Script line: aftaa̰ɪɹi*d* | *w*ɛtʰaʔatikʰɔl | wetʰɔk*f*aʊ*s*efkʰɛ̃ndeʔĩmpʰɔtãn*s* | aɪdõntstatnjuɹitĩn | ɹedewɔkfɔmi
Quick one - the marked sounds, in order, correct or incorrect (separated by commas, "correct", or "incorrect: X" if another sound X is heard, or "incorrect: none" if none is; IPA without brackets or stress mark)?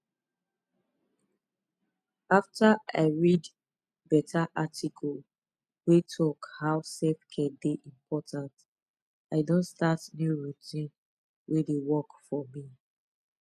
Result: correct, incorrect: b, incorrect: h, correct, incorrect: t